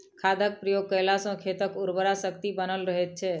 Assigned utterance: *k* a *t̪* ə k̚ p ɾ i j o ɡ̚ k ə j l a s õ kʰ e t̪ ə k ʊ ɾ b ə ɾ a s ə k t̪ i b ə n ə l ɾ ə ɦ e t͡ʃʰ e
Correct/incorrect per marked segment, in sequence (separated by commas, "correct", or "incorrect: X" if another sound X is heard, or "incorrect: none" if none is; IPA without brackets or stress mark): incorrect: kʰ, incorrect: d̪